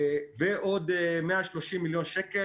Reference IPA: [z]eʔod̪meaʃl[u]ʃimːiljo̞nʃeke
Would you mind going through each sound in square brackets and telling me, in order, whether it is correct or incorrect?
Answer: incorrect, incorrect

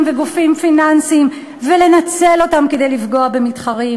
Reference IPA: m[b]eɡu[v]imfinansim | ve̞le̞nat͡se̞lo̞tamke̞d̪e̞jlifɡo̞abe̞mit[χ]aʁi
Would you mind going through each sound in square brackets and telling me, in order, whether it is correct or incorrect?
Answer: incorrect, incorrect, correct

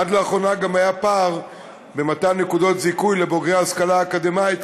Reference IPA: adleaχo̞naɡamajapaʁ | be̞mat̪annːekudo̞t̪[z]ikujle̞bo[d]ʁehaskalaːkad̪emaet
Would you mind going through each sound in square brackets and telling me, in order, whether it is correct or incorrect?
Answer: correct, incorrect

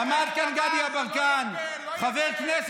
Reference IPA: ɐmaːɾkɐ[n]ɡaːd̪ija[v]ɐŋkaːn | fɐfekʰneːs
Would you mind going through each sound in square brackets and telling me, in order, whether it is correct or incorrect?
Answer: correct, incorrect

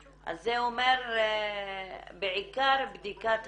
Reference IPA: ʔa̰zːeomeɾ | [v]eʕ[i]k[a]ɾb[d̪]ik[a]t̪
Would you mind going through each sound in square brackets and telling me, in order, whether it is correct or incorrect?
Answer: incorrect, correct, correct, correct, correct

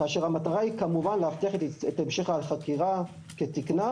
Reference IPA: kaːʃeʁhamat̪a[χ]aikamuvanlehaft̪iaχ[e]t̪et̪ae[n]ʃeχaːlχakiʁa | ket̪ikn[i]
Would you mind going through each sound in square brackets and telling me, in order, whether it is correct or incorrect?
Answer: incorrect, correct, incorrect, incorrect

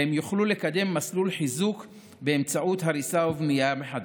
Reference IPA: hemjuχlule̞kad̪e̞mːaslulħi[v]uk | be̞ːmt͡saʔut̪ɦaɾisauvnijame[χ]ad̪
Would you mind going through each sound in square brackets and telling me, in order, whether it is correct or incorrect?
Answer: incorrect, incorrect

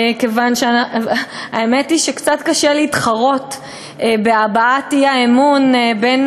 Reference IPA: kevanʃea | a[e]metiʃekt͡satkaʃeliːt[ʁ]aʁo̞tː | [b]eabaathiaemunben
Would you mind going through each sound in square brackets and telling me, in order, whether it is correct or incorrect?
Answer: correct, incorrect, correct

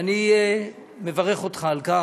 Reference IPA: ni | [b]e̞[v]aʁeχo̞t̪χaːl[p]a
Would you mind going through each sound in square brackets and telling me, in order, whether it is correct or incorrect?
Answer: incorrect, correct, incorrect

